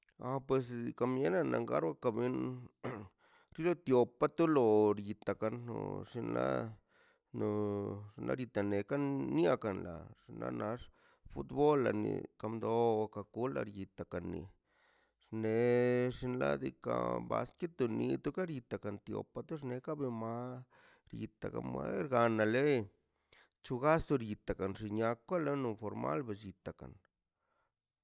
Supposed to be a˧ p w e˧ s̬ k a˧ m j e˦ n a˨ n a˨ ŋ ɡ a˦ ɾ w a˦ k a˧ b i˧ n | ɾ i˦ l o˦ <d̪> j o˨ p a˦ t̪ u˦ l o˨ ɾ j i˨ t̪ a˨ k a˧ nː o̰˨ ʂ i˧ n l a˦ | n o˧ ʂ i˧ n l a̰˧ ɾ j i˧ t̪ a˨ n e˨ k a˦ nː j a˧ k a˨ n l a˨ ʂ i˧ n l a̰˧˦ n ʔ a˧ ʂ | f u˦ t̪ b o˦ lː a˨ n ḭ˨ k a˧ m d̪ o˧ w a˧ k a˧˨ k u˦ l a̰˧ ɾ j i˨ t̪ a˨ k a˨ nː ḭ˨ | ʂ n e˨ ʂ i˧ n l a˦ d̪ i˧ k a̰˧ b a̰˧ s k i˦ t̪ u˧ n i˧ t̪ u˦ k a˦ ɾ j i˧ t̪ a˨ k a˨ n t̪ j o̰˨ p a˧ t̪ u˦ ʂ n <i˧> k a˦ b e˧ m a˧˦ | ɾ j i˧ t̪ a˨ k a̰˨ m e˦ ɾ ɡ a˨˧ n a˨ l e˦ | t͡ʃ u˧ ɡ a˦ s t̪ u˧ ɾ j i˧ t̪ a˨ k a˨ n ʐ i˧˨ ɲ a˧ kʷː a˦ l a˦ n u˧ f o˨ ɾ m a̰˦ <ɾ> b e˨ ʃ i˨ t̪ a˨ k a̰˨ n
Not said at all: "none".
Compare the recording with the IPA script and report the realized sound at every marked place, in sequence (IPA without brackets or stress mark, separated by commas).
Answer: t̪, e˧, l